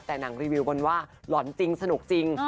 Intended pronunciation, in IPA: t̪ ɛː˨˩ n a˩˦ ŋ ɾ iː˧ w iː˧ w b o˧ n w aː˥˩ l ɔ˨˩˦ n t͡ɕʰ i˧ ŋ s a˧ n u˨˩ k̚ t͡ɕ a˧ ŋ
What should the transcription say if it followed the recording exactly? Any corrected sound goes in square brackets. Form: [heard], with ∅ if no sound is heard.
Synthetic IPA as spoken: t̪ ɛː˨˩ n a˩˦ ŋ ɾ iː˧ w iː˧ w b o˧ n w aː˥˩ l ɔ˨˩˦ n [t͡ɕ] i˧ ŋ s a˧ n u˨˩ k̚ t͡ɕ [i˧] ŋ